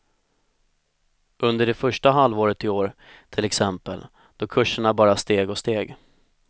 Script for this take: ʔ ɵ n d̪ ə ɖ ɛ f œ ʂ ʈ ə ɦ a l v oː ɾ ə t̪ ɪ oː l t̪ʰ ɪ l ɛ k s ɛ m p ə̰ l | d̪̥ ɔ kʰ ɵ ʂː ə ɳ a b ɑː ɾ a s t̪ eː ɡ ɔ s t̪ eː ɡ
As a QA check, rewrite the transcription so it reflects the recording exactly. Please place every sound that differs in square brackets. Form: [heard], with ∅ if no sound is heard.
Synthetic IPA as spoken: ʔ ɵ n d̪ ə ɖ ɛ f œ ʂ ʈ [a] ɦ a l v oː ɾ ə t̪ ɪ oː [ɾ] t̪ʰ ɪ l ɛ k s ɛ m p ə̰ l | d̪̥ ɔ kʰ ɵ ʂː ə ɳ a b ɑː ɾ a s t̪ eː ɡ ɔ s t̪ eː ɡ

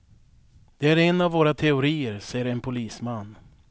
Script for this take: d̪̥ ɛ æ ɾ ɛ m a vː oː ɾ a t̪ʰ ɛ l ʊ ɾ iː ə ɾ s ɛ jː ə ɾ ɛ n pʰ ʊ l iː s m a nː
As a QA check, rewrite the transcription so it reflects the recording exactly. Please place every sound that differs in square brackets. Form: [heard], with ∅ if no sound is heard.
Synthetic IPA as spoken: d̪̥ ɛ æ ɾ ɛ [n] a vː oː ɾ a t̪ʰ ɛ [∅] ʊ ɾ iː ə ɾ s ɛ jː ə ɾ ɛ n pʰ ʊ l iː s m a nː

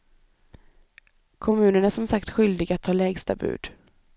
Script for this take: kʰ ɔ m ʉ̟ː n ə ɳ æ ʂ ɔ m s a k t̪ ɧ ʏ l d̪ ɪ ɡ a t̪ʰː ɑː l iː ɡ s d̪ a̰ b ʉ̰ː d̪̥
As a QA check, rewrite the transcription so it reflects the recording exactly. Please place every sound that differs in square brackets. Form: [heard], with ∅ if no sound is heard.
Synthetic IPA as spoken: kʰ ɔ m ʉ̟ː n ə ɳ æ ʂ ɔ m s a k t̪ ɧ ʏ l d̪ ɪ ɡ a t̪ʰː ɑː l [ɛː] ɡ s [t̪] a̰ b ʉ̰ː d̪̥

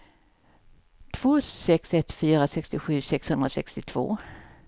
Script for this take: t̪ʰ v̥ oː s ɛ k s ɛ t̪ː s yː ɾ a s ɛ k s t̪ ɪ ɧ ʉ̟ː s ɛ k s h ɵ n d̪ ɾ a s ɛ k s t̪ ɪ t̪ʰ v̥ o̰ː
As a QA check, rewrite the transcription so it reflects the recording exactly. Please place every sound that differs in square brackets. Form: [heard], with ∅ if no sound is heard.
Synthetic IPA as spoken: t̪ʰ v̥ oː s ɛ k s ɛ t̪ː [f] yː ɾ a s ɛ k s t̪ ɪ ɧ ʉ̟ː s ɛ k s h ɵ n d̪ ɾ a s ɛ k s t̪ ɪ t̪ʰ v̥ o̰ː

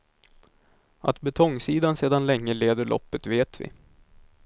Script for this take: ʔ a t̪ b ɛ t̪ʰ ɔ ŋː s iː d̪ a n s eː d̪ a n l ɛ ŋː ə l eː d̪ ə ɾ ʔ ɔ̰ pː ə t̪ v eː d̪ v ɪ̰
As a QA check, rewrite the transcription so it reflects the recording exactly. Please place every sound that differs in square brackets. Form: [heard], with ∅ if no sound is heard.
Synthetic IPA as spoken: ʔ a t̪ b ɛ t̪ʰ ɔ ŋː s iː d̪ a n s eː d̪ a n l ɛ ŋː ə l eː d̪ ə [ɭ] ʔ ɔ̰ pː ə t̪ v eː [t̪] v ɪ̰

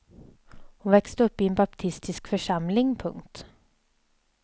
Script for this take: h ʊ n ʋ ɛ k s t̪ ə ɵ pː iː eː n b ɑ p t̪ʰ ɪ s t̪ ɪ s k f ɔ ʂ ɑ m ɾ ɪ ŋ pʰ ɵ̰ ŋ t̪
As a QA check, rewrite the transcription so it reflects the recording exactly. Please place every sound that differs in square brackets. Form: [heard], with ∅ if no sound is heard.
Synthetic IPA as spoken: h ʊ n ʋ ɛ k s t̪ ə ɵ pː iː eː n b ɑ p t̪ʰ ɪ s t̪ ɪ s k f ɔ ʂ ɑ m [l] ɪ ŋ pʰ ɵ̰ ŋ t̪

